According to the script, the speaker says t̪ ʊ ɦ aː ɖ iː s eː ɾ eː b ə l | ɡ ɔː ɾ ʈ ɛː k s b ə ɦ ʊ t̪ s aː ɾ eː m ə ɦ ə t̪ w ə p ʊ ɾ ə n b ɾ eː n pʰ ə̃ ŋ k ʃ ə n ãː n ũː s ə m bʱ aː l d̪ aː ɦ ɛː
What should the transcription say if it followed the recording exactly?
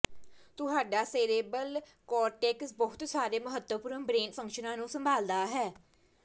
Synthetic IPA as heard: t̪ ʊ ɦ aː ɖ aː s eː ɾ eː b ə l | k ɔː ɾ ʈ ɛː k s b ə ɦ ʊ t̪ s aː ɾ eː m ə ɦ ə t̪ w ə p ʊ ɾ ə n b ɾ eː n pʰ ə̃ ŋ k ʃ ə n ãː n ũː s ə m bʱ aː l d̪ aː ɦ ɛː